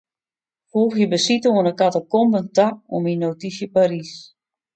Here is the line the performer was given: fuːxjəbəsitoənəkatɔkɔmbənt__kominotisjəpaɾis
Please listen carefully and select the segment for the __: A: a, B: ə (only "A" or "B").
A